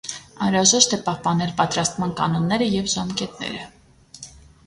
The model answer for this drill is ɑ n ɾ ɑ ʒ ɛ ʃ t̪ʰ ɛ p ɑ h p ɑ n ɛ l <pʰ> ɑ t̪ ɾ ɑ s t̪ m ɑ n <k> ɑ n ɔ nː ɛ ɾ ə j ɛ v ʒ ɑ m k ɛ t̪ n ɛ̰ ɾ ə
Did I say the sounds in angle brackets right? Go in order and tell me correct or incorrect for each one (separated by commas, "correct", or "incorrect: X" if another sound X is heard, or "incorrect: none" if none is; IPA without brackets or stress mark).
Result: incorrect: p, correct